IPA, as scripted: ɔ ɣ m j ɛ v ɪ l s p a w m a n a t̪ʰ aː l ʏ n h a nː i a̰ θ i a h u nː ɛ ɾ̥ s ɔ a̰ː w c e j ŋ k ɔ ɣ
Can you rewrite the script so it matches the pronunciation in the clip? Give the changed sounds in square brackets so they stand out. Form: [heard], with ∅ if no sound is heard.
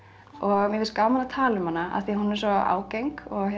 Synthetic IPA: ɔ ɣ m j ɛ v ɪ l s [k] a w m a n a t̪ʰ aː l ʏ [m] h a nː [a] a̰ θ i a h u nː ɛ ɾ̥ s ɔ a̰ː w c e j ŋ k ɔ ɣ